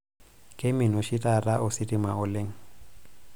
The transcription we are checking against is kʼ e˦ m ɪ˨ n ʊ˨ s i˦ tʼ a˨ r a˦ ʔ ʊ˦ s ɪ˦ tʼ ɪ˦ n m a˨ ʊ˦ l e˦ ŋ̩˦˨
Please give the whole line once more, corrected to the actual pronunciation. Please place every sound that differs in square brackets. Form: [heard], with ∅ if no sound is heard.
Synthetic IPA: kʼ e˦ m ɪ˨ n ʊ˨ [ʃ] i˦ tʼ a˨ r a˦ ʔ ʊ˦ s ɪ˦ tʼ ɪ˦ [∅] m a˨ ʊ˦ l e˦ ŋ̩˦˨